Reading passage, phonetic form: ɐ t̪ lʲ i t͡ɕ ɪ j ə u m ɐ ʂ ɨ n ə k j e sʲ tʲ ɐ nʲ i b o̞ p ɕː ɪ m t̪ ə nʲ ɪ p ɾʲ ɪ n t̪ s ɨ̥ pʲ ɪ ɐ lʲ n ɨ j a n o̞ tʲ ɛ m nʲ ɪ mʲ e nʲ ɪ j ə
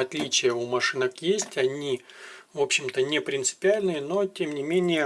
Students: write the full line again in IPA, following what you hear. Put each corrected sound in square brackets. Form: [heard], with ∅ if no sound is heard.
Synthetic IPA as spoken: ɐ t̪ lʲ i t͡ɕ ɪ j ə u m ɐ ʂ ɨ n ə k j e sʲ tʲ ɐ nʲ i [v] o̞ p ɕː ɪ m t̪ ə nʲ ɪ p ɾʲ ɪ n t̪ s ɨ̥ pʲ ɪ [a] lʲ n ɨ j [ə] n o̞ tʲ [e] m nʲ ɪ mʲ e nʲ ɪ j ə

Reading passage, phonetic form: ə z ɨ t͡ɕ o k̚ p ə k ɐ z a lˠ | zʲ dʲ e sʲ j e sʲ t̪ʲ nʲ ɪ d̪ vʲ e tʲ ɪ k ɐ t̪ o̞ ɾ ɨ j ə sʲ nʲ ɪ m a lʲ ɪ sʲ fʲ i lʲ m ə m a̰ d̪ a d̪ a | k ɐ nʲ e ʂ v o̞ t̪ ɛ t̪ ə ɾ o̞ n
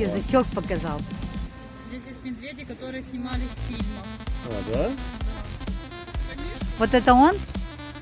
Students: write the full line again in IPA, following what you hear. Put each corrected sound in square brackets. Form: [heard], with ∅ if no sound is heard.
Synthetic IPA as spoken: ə z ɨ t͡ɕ o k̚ p ə k ɐ z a lˠ | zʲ dʲ e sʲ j e sʲ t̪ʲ [mʲ] ɪ d̪ vʲ e [dʲ] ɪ k ɐ t̪ o̞ ɾ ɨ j ə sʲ nʲ ɪ m a lʲ ɪ sʲ fʲ i lʲ m ə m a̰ d̪ a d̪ a | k ɐ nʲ e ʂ v o̞ t̪ ɛ t̪ ə [∅] o̞ n

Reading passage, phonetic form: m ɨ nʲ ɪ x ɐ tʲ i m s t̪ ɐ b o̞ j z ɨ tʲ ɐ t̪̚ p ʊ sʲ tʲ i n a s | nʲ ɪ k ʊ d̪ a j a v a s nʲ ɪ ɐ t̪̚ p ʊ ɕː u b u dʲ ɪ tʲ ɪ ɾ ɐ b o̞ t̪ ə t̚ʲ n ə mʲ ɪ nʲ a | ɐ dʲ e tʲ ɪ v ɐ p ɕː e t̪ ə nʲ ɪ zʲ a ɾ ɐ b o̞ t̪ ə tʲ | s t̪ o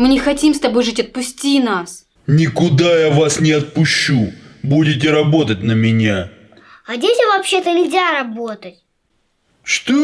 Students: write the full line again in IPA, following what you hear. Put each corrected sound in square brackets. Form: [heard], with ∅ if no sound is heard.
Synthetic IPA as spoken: m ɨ nʲ ɪ x ɐ tʲ i m s t̪ ɐ b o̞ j [ʐ] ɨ tʲ ɐ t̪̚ p ʊ sʲ tʲ i n a s | nʲ ɪ k ʊ d̪ a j a v a s nʲ ɪ ɐ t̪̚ p ʊ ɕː u b u dʲ ɪ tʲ ɪ ɾ ɐ b o̞ t̪ ə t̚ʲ n ə mʲ ɪ nʲ a | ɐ dʲ e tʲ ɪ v ɐ p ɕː e t̪ ə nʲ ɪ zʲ a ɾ ɐ b o̞ t̪ ə tʲ | [ʂ] t̪ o

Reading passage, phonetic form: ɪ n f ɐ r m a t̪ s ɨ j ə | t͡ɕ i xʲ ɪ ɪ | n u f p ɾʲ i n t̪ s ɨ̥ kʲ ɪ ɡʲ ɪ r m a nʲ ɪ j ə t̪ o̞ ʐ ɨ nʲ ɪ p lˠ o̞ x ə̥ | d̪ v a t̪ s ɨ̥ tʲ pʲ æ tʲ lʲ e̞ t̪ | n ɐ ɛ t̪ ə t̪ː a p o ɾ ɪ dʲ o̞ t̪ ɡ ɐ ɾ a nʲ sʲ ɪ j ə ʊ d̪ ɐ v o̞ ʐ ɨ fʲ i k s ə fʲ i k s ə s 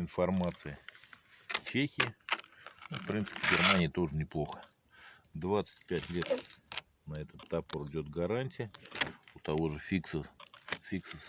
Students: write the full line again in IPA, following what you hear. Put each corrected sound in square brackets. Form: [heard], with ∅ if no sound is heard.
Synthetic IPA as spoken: ɪ n f ɐ r m a t̪ s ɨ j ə | t͡ɕ [e] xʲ ɪ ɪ | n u f p ɾʲ i n t̪ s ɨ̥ [pʲ] ɪ ɡʲ ɪ r m a nʲ ɪ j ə t̪ o̞ ʐ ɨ nʲ ɪ p lˠ o̞ x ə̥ | d̪ v a t̪ s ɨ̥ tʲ pʲ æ tʲ lʲ e̞ t̪ | n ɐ ɛ t̪ ə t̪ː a p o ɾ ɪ dʲ o̞ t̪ ɡ ɐ ɾ a nʲ [tʲ] ɪ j ə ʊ [t̪] ɐ v o̞ ʐ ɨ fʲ i k s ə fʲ i k s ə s

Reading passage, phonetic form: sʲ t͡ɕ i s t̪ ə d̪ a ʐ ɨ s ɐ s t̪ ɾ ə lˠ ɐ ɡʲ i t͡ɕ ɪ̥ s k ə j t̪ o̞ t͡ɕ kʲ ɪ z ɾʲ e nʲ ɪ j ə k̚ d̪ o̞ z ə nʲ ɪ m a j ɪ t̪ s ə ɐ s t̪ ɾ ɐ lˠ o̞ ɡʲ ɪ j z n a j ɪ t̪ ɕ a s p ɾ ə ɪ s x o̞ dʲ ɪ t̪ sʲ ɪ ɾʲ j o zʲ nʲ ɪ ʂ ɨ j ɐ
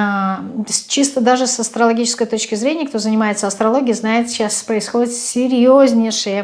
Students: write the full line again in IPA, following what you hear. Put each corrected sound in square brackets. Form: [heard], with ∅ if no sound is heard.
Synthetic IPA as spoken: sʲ t͡ɕ i s t̪ ə d̪ a ʐ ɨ s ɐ s t̪ ɾ ə lˠ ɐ ɡʲ i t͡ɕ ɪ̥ s k ə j t̪ o̞ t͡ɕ kʲ ɪ z ɾʲ e nʲ ɪ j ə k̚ [t̪] o̞ z ə nʲ ɪ m a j ɪ t̪ s ə ɐ s t̪ ɾ ɐ lˠ o̞ ɡʲ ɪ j z n a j ɪ t̪ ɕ a s p ɾ ə ɪ s x o̞ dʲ ɪ t̪ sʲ ɪ ɾʲ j o zʲ nʲ ɪ ʂ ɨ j [ə]

